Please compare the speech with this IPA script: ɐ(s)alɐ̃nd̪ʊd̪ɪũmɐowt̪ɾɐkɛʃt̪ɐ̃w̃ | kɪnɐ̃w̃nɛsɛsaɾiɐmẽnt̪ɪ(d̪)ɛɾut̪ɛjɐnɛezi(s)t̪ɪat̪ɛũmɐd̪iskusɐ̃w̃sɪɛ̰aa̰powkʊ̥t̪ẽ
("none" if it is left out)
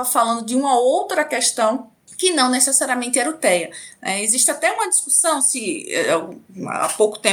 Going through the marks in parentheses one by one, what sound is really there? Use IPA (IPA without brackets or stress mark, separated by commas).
f, none, ʃ